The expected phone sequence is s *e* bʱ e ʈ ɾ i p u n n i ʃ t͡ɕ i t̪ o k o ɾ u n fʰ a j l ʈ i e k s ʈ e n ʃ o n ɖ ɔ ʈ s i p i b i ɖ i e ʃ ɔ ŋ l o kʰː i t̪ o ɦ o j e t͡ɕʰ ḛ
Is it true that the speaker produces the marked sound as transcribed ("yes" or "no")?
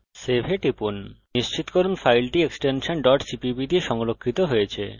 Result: yes